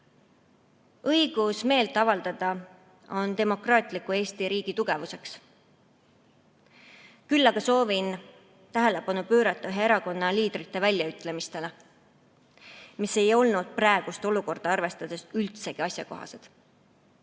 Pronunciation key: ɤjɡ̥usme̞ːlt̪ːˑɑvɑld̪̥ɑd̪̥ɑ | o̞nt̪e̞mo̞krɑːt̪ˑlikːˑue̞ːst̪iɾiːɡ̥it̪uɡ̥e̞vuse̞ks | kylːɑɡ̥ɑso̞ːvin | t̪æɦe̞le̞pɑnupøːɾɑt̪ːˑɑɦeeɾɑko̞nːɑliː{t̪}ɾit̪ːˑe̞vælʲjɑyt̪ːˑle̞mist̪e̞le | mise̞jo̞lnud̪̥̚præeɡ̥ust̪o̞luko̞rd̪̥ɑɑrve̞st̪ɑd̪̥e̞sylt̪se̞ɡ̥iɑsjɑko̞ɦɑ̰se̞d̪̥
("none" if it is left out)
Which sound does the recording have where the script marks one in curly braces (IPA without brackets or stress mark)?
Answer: d̪